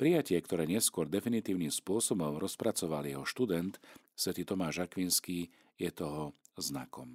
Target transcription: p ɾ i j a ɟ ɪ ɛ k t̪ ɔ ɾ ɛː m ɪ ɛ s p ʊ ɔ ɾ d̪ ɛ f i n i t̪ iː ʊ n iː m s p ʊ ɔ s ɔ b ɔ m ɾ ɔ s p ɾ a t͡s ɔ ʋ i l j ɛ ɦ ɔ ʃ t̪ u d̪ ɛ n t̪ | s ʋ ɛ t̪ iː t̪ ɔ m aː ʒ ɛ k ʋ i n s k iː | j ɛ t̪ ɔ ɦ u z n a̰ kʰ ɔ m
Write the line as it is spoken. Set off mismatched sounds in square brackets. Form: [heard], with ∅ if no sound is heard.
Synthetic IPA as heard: p ɾ i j a [c] ɪ ɛ k t̪ ɔ ɾ ɛː [ɲ] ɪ ɛ s [k] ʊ ɔ ɾ d̪ ɛ f i n i t̪ iː ʊ n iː m s p ʊ ɔ s ɔ b ɔ m ɾ ɔ s p ɾ a t͡s ɔ ʋ [a] l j ɛ ɦ ɔ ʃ t̪ u d̪ ɛ n t̪ | s ʋ ɛ t̪ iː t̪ ɔ m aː ʒ [a] k ʋ i n s k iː | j ɛ t̪ ɔ ɦ [ɔ] z n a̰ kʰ ɔ m